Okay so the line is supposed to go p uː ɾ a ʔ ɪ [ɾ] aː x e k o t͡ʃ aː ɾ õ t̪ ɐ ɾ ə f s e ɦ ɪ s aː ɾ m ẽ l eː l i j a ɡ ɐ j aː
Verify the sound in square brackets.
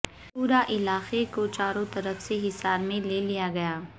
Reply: incorrect: l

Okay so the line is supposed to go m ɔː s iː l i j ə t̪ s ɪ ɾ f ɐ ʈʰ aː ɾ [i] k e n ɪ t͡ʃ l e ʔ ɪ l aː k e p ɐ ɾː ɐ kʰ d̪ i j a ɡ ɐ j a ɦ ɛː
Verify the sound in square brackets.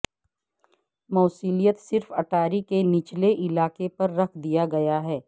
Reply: correct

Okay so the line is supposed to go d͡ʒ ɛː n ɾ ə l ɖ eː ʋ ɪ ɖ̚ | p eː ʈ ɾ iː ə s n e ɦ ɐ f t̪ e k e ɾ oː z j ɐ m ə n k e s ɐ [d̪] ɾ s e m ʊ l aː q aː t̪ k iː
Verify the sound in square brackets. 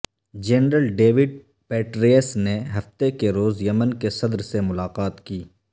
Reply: correct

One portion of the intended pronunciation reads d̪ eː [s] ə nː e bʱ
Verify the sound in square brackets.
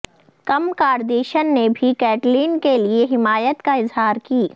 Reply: incorrect: ʃ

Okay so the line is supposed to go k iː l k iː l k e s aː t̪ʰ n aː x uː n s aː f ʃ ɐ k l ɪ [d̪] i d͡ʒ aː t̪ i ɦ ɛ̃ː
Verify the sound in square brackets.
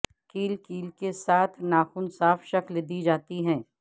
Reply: correct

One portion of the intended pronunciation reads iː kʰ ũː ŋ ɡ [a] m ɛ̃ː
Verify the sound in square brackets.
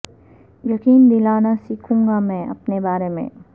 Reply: correct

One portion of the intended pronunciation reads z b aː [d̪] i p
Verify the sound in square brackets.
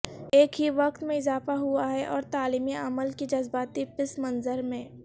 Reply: incorrect: t̪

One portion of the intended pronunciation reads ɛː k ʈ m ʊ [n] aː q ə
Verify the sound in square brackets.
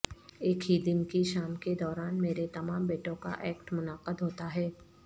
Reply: correct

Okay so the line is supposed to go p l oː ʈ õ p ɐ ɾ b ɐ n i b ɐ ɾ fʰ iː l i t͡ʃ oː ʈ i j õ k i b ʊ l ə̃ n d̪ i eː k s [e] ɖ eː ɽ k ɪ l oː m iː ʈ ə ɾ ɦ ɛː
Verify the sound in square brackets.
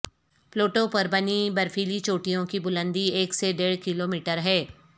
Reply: correct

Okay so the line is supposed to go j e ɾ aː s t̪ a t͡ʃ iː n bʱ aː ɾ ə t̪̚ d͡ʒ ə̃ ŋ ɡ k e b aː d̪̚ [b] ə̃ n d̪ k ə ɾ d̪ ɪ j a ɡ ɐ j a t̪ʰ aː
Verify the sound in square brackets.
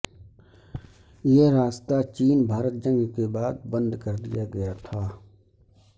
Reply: correct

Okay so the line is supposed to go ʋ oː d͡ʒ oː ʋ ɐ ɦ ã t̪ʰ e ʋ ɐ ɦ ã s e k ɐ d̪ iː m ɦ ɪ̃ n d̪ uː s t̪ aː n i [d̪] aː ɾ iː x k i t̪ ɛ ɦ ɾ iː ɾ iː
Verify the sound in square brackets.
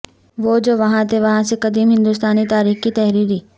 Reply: incorrect: t̪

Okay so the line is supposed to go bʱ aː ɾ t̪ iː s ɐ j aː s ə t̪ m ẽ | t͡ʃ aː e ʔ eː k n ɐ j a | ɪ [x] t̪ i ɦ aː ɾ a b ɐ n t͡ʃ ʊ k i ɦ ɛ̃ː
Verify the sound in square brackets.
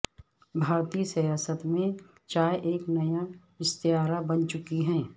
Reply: incorrect: s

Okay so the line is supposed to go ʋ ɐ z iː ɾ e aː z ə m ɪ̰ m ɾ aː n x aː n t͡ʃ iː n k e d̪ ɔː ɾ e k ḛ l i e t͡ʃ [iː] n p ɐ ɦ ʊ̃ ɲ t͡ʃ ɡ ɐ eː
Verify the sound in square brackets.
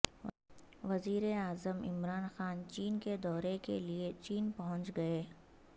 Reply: correct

